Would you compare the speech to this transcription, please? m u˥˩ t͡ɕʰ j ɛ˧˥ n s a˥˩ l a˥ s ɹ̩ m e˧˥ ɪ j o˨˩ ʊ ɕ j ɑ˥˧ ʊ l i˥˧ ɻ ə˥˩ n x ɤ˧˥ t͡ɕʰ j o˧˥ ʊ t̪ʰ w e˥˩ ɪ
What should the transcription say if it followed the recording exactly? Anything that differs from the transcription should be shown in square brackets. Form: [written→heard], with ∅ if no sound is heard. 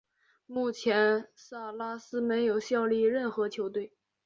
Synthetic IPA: m u˥˩ t͡ɕʰ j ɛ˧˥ n s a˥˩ l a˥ s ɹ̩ m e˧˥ ɪ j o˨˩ ʊ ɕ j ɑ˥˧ ʊ l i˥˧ ɻ ə˥˩ n x ɤ˧˥ t͡ɕʰ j o˧˥ ʊ [t̪ʰ→t̪] w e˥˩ ɪ